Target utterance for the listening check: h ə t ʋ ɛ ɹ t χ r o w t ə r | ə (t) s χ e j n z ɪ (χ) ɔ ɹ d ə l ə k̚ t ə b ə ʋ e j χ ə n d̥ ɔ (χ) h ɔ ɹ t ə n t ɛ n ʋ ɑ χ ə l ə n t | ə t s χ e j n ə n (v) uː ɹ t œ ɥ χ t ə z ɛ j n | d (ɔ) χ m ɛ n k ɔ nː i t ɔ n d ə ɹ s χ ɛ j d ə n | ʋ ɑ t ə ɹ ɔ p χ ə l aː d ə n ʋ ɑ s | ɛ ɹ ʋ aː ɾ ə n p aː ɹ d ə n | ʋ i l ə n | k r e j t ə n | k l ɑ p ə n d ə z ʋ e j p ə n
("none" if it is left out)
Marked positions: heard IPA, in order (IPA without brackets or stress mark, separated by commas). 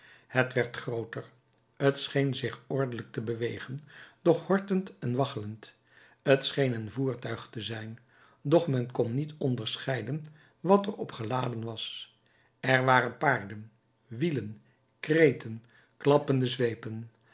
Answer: t, χ, χ, v, ɔ